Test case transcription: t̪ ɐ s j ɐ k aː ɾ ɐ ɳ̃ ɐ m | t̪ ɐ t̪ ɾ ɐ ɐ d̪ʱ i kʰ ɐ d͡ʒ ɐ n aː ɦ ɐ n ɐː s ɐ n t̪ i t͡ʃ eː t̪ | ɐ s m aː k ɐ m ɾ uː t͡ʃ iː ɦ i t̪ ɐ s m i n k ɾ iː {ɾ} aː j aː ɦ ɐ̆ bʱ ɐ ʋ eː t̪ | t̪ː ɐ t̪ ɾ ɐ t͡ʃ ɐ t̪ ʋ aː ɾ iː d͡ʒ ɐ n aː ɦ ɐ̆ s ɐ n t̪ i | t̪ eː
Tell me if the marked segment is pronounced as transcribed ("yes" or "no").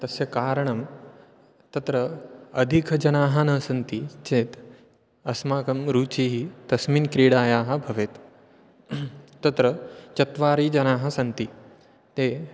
no